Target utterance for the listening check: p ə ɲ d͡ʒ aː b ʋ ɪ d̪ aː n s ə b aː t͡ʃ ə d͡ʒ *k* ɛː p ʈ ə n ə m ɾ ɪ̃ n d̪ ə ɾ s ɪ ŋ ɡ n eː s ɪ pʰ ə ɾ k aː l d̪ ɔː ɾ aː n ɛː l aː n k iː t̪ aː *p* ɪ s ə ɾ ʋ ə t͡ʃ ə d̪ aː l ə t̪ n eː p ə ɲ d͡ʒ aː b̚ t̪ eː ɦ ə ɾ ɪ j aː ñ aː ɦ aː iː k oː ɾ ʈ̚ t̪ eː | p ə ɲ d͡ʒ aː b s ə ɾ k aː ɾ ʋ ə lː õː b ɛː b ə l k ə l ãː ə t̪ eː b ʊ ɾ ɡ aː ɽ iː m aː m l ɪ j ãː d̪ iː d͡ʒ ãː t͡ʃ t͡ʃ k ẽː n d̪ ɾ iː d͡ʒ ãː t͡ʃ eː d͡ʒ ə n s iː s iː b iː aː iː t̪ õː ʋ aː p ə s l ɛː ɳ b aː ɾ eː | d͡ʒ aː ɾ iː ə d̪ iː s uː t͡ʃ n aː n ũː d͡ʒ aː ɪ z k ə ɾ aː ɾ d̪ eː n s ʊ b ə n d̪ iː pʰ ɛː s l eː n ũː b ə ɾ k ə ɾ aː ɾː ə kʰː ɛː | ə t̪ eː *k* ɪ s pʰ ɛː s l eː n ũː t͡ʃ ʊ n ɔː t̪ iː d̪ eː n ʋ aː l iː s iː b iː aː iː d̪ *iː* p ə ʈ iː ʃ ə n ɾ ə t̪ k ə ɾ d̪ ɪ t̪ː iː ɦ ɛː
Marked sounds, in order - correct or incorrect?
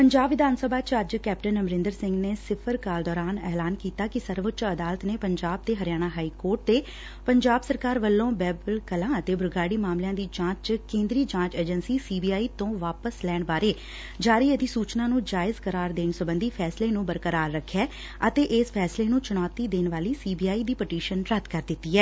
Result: correct, incorrect: k, incorrect: ʔ, correct

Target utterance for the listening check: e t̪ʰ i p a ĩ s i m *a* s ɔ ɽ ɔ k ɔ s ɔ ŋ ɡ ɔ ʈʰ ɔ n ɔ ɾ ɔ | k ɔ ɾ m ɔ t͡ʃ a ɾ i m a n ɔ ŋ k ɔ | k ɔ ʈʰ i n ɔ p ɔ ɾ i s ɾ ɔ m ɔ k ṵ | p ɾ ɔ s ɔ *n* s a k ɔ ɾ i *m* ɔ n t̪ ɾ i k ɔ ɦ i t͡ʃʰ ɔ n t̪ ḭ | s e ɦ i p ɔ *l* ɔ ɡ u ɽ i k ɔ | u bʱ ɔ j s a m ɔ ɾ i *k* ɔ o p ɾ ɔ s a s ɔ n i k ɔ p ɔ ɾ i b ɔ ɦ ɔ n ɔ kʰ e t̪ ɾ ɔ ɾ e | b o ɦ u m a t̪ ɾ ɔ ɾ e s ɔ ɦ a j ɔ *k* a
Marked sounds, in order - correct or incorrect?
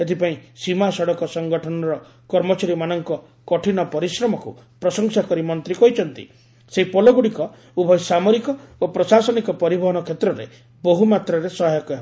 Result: correct, incorrect: ŋ, correct, correct, correct, correct

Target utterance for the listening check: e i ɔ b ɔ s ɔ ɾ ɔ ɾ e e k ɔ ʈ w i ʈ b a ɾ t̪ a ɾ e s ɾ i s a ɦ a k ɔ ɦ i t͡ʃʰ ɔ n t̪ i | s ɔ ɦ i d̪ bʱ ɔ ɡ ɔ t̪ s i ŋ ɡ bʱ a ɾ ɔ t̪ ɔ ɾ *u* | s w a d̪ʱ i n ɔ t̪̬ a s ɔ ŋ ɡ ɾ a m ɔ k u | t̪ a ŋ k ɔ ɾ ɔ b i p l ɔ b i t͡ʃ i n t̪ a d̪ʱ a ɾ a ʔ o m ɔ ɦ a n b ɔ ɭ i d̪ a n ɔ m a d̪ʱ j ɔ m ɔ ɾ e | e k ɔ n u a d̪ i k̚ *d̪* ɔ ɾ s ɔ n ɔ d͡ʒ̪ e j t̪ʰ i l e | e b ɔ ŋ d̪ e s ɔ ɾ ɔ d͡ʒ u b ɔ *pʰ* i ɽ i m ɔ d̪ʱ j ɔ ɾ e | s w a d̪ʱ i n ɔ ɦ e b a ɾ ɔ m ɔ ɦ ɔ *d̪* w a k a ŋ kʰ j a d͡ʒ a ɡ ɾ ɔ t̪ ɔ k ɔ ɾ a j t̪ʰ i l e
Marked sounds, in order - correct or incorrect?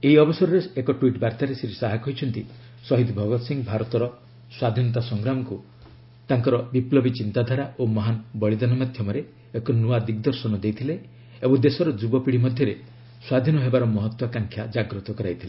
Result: incorrect: ɔ, correct, incorrect: p, incorrect: t̪

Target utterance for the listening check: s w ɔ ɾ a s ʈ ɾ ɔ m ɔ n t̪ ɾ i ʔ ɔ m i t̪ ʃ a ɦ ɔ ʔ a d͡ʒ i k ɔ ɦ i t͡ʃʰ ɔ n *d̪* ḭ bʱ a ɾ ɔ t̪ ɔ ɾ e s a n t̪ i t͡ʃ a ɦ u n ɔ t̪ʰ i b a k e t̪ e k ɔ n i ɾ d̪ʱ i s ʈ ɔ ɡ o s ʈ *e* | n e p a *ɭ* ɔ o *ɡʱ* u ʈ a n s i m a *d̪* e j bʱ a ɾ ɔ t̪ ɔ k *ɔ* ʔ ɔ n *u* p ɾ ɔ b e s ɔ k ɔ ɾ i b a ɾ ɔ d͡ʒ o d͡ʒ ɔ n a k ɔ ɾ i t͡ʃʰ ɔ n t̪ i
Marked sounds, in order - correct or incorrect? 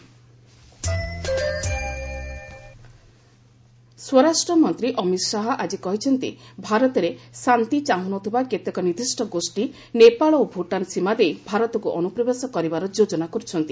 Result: incorrect: t̪, incorrect: i, correct, incorrect: bʱ, correct, incorrect: u, correct

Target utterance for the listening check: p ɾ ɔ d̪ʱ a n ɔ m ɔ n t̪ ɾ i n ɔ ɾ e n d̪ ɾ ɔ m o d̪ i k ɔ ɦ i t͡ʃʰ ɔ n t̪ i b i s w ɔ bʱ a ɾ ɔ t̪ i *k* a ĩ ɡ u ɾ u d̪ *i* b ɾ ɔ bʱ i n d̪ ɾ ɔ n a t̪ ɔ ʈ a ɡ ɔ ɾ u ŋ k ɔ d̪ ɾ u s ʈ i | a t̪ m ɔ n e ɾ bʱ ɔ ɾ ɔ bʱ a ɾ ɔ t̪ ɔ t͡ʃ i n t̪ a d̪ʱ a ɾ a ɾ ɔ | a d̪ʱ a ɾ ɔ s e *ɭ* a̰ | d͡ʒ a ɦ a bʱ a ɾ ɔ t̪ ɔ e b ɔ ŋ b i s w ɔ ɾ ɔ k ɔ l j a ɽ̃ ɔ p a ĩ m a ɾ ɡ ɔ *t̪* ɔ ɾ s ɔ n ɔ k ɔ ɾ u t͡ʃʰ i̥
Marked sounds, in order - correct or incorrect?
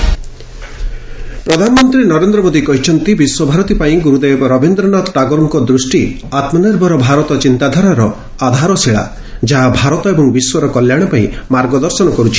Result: incorrect: p, incorrect: e, correct, incorrect: d̪

